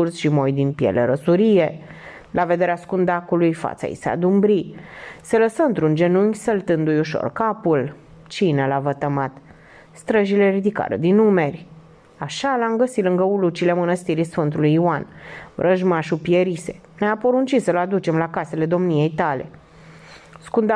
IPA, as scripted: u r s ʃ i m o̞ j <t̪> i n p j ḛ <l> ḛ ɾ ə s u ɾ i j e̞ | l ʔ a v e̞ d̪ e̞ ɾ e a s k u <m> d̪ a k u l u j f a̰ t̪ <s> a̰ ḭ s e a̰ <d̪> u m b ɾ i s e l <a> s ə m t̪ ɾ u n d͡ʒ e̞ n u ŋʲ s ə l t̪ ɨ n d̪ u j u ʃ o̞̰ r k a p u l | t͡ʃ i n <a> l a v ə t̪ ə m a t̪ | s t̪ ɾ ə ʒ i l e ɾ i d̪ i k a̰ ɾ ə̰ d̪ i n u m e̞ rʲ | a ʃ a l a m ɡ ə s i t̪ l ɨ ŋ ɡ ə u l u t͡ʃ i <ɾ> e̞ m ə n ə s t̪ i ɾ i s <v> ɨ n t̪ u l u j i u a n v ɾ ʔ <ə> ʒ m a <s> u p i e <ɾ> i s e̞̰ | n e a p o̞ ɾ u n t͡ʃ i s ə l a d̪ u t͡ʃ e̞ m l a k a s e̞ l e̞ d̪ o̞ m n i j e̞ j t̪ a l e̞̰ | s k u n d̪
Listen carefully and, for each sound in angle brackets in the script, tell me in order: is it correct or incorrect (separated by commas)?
incorrect, correct, incorrect, correct, correct, incorrect, incorrect, incorrect, incorrect, correct, incorrect, correct